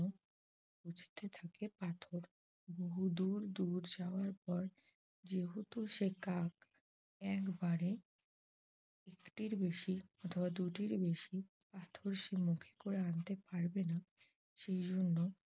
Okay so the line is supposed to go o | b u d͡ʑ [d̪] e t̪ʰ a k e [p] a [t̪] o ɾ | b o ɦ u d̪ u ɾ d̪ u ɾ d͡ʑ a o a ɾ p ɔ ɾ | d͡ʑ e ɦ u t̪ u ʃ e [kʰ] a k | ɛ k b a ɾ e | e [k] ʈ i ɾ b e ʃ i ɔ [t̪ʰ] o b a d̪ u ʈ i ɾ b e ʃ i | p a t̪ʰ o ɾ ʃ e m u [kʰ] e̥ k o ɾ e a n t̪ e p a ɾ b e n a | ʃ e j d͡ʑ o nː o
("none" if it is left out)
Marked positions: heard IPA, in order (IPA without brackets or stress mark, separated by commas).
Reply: t̪, p, t̪ʰ, k, k, t̪ʰ, kʰ